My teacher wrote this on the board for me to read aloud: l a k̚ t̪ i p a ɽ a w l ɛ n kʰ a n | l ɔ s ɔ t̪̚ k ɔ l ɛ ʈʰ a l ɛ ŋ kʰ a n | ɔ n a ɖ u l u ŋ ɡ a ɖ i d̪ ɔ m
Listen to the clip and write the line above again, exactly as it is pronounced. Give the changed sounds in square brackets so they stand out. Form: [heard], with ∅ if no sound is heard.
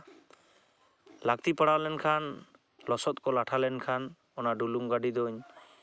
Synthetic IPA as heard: l a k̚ t̪ i p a ɽ a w l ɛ n kʰ a n | l ɔ s ɔ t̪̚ k ɔ l [a] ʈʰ a l ɛ [n] kʰ a n | ɔ n a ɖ u l u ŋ ɡ a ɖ i d̪ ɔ [ɲ]